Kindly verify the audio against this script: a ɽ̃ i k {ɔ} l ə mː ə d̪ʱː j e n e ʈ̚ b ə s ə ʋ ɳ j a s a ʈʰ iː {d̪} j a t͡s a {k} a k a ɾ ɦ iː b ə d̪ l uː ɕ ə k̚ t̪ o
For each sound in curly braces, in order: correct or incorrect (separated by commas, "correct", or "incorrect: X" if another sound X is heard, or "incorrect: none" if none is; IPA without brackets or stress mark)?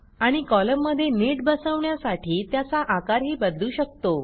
correct, incorrect: t̪, incorrect: ʔ